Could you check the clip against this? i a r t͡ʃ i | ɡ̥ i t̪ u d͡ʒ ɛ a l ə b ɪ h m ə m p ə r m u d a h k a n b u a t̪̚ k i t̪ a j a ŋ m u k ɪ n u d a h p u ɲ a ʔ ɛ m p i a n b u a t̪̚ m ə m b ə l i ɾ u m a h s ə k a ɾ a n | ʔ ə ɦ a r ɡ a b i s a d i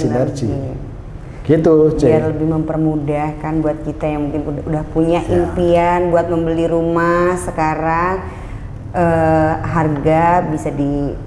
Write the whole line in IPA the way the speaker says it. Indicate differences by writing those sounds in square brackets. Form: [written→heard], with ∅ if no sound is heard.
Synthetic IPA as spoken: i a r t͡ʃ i | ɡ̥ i t̪ u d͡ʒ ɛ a l ə b ɪ h m ə m p ə r m u d a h k a n b u a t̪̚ k i t̪ a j a ŋ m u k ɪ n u d a h p u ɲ a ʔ [ɛ→i] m p i a n b u a t̪̚ m ə m b ə l i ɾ u m a h s ə k a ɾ a [n→ŋ] | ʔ ə ɦ a r ɡ a b i s a d i